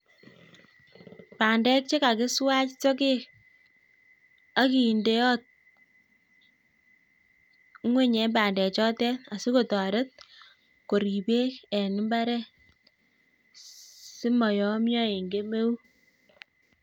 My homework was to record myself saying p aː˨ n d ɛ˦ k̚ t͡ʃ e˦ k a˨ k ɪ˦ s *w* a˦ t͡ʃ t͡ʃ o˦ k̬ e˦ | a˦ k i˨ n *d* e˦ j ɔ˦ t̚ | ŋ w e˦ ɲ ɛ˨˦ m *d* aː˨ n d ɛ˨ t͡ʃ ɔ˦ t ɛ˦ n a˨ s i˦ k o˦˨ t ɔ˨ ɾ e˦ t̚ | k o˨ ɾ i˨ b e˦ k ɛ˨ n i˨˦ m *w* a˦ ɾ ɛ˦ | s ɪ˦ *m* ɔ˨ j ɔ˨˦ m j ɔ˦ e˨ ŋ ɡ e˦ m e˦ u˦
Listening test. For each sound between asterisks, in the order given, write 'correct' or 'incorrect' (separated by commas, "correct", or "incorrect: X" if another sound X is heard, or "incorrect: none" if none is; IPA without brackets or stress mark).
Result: correct, correct, incorrect: b, incorrect: b, correct